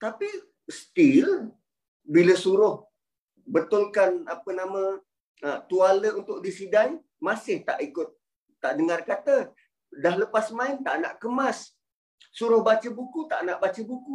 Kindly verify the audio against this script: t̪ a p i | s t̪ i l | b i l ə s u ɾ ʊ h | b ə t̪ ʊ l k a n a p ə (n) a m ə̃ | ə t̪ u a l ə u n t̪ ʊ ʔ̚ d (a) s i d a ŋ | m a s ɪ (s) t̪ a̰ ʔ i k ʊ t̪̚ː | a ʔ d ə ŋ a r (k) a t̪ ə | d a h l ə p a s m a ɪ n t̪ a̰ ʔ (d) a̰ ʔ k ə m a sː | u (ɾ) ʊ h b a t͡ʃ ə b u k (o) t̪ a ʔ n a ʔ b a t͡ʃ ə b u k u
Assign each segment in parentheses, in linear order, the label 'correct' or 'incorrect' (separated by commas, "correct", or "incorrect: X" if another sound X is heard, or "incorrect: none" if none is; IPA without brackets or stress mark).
correct, incorrect: i, incorrect: h, correct, incorrect: n, correct, incorrect: u